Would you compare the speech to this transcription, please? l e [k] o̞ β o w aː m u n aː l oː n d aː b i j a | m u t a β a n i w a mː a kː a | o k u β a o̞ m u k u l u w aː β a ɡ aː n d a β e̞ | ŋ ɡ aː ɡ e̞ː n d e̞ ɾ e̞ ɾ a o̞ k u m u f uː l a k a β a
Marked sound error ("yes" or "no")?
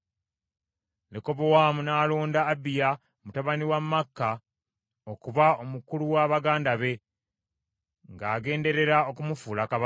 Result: no